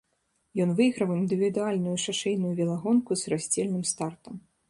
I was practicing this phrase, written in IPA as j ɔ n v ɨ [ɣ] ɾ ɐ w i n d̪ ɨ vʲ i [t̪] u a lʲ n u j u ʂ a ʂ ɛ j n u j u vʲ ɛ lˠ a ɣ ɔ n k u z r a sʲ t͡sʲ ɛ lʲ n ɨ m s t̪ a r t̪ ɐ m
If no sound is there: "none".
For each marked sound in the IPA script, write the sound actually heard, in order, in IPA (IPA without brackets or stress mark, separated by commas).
ɣ, d̪